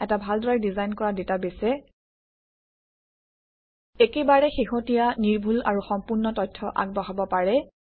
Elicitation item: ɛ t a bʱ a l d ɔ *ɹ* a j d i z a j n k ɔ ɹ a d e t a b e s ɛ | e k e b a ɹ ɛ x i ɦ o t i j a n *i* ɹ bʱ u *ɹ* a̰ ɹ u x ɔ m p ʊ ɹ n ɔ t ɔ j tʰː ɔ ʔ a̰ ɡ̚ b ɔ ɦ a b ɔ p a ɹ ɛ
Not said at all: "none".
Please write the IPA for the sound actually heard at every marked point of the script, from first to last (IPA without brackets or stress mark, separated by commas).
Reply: ɹ, i, l